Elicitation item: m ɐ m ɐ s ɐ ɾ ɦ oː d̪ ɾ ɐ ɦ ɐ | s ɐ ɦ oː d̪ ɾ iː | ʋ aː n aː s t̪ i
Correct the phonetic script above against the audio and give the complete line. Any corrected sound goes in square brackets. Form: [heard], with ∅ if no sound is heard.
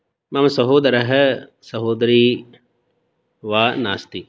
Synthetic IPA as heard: m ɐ m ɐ s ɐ [∅] ɦ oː d̪ ɾ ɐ ɦ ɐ | s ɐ ɦ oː d̪ ɾ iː | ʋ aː n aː s t̪ i